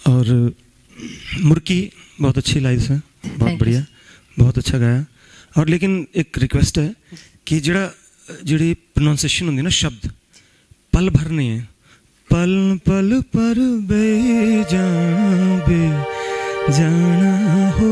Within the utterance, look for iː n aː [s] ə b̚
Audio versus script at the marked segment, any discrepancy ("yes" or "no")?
yes